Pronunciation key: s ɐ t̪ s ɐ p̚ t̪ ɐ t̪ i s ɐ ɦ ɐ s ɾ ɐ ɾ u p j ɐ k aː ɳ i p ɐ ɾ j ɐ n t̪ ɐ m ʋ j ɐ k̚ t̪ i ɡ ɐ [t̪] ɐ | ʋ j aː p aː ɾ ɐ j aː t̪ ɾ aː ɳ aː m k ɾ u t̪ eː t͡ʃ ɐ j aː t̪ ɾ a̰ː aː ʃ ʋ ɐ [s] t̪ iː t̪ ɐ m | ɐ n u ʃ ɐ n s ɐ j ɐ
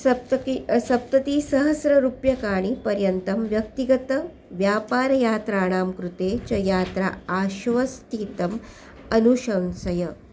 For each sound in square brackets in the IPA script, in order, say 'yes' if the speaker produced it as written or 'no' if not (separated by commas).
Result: yes, yes